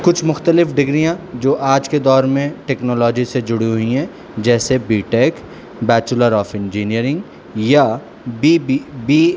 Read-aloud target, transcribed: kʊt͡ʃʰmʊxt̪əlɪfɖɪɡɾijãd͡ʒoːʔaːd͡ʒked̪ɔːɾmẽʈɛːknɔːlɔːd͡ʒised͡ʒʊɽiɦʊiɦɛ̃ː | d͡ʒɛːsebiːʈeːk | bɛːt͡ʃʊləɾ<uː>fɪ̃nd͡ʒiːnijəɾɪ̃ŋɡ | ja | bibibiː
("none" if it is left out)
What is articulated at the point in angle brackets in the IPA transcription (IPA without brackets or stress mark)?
ɔː